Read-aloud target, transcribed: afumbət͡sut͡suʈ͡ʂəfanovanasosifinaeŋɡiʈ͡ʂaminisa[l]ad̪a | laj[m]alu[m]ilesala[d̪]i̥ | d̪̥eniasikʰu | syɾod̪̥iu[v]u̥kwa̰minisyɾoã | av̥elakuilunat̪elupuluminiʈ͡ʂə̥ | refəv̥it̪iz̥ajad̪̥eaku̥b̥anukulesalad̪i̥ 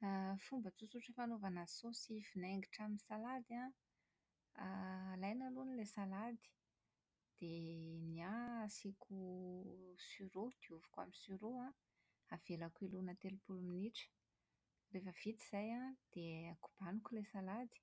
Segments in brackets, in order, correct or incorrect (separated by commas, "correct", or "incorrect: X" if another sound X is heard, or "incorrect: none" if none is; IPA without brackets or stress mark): correct, incorrect: n, incorrect: n, correct, correct